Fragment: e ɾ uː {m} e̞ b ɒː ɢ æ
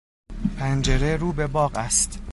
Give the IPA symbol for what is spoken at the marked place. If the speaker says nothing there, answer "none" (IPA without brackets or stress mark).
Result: b